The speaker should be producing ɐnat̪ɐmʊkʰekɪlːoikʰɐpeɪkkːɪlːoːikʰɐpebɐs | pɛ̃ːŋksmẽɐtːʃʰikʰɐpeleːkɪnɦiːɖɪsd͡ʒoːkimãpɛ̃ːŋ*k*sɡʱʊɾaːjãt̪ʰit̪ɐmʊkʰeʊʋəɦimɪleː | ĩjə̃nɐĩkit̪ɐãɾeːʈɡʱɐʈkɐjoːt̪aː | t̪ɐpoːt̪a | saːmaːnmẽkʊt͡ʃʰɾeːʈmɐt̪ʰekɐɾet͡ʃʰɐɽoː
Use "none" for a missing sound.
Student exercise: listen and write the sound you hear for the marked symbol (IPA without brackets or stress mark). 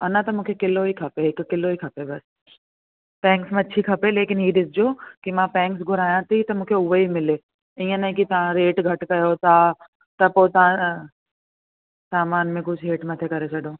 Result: k